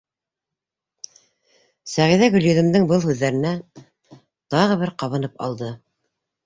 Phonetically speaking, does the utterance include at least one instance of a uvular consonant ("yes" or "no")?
yes